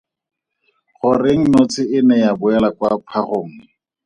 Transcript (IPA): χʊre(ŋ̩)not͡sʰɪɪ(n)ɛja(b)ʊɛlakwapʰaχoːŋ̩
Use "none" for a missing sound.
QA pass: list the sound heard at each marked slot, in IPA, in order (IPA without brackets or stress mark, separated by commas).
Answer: ŋ̩, n, b